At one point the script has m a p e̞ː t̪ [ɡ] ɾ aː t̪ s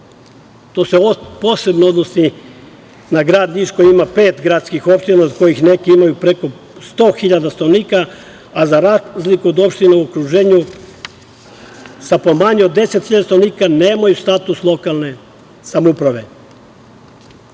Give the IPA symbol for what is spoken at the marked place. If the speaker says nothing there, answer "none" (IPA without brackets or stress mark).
ɡ